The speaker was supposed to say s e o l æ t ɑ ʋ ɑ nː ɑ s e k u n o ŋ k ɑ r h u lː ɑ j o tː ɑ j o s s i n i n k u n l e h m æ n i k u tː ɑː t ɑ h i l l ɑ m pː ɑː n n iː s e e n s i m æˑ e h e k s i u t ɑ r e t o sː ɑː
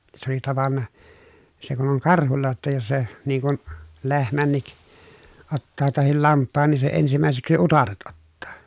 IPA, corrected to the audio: s e o l i t ɑ ʋ ɑ nː ɑ s e k u n o ŋ k ɑ r h u lː ɑ j o tː ɑ j o s s e n i ŋ k u n l e h m æ nː i k o tː ɑː t ɑ h i l l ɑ m pː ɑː n n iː s e e n s i m æˑ e s e k s i u t ɑ r e t o tː ɑː